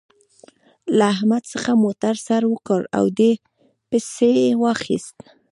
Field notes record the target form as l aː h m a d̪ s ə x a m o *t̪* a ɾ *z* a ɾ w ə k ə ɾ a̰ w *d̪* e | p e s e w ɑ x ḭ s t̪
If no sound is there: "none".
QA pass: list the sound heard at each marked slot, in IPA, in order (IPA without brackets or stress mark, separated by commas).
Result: t̪, s, d̪